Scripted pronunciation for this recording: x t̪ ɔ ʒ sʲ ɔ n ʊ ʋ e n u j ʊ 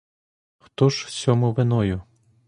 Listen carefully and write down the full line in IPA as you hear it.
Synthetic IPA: x t̪ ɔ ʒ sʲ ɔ m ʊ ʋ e n ɔ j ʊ